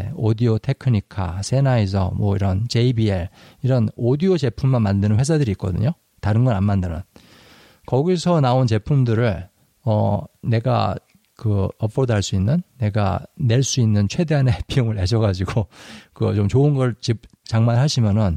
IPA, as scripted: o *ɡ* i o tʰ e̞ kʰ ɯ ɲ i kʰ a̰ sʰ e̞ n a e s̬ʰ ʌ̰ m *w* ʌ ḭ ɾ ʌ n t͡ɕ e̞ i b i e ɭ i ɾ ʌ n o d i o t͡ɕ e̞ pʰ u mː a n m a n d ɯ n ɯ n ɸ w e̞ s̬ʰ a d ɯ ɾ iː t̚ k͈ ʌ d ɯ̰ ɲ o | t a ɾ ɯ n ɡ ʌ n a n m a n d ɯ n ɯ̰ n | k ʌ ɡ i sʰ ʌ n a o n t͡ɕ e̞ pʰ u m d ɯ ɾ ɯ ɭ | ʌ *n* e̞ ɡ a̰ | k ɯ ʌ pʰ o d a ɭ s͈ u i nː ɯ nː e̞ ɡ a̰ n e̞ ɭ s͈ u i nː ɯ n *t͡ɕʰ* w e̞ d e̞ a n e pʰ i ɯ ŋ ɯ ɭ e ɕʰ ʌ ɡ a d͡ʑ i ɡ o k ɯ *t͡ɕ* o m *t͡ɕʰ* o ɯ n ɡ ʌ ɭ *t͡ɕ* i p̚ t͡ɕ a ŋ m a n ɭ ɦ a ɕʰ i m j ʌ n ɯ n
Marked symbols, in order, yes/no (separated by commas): no, yes, yes, yes, yes, no, yes